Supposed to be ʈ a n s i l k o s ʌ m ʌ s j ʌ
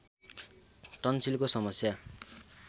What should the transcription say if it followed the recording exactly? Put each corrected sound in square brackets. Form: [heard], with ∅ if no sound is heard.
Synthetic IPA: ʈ [ʌ] n s i l k o s ʌ m ʌ s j [a]

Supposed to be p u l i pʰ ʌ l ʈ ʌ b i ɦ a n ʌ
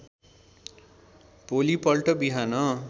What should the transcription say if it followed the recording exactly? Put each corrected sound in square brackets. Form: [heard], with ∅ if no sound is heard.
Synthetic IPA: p [o] l i [p] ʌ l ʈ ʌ b i ɦ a n ʌ

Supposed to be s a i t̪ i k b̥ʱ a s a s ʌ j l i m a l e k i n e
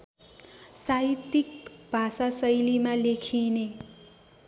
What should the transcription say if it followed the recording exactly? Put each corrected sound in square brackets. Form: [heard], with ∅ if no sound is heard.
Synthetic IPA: s a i t̪ i k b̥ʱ a s a s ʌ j l i m a l e [kʰ] i n e

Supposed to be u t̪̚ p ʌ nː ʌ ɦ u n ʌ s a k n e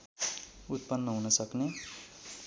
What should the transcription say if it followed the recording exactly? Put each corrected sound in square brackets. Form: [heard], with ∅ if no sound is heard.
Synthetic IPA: u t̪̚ p ʌ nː ʌ ɦ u n ʌ s [ʌ] k n e

